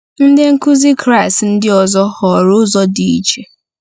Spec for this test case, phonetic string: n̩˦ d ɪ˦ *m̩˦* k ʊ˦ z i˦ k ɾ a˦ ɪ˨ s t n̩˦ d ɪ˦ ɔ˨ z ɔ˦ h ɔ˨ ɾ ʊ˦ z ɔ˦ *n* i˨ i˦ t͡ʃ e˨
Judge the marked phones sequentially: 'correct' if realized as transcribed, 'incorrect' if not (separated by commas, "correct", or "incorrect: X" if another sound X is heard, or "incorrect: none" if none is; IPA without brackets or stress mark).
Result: incorrect: ŋ̩˦, incorrect: d